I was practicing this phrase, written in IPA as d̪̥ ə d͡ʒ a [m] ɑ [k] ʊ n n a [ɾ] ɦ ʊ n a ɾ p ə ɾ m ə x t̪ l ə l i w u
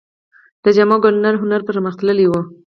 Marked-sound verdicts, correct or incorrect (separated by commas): correct, incorrect, correct